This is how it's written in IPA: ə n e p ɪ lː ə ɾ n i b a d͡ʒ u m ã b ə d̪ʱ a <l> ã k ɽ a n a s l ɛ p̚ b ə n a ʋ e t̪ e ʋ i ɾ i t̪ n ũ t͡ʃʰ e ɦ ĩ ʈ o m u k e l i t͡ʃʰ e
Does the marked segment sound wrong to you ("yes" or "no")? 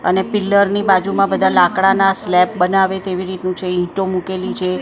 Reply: no